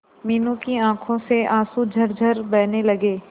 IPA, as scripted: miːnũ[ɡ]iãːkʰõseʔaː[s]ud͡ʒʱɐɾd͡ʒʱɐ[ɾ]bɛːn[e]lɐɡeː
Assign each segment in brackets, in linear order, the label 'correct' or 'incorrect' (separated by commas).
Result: incorrect, correct, correct, correct